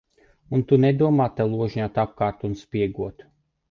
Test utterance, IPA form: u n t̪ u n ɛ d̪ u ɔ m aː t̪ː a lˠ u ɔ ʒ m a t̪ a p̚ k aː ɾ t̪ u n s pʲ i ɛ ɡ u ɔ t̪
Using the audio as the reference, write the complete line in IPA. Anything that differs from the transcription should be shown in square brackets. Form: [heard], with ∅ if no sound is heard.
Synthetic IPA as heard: u n t̪ u n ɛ d̪ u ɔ m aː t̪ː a lˠ u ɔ ʒ [ɲ] a t̪ a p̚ k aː ɾ t̪ u n s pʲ i ɛ ɡ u ɔ t̪